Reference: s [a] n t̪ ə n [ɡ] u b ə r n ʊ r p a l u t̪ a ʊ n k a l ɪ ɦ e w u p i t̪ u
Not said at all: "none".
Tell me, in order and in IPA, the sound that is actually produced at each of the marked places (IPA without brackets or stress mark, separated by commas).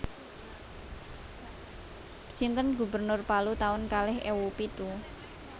i, ɡ